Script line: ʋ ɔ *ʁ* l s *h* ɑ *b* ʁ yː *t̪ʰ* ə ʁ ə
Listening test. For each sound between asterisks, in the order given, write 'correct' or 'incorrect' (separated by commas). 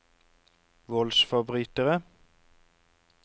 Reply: incorrect, incorrect, correct, incorrect